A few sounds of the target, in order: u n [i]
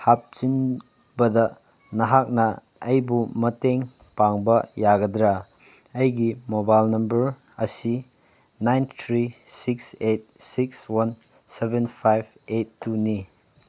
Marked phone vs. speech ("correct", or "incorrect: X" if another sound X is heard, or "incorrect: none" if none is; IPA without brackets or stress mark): correct